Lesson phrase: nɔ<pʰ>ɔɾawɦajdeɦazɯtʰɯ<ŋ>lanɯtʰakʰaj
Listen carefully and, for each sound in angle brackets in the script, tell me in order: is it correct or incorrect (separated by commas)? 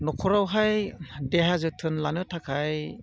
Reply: incorrect, incorrect